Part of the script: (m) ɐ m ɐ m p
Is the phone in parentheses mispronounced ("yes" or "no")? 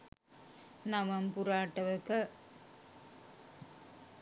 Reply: yes